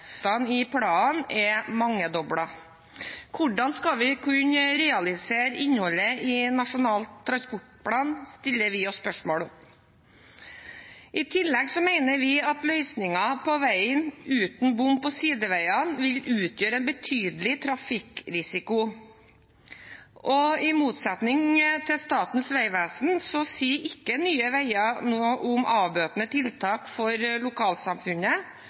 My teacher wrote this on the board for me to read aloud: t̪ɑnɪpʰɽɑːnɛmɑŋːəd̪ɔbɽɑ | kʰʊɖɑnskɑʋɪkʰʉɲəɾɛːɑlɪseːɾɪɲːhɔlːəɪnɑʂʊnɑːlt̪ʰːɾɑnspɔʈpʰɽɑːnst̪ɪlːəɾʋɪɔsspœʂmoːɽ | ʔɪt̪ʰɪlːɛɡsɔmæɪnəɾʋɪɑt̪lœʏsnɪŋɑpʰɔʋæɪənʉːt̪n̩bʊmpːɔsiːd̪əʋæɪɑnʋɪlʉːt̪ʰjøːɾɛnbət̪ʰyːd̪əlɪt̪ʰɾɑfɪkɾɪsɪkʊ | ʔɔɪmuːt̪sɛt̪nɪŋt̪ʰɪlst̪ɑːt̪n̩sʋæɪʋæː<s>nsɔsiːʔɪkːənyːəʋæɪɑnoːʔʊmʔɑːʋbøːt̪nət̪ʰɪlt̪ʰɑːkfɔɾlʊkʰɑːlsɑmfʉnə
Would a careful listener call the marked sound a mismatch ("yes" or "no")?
no